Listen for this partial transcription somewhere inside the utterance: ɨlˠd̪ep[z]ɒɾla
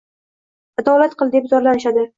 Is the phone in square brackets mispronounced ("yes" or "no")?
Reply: no